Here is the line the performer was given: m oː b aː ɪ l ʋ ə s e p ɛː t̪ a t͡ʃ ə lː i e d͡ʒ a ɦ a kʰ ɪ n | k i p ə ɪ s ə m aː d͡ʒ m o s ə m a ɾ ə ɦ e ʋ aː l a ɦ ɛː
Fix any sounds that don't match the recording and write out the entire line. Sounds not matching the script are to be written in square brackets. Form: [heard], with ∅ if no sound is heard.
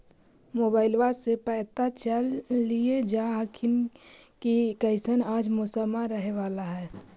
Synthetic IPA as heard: m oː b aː ɪ l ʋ [a] s e p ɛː t̪ a t͡ʃ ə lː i e d͡ʒ a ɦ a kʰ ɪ n | k i [k] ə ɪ s ə [n] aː d͡ʒ m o s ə m a ɾ ə ɦ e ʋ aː l a ɦ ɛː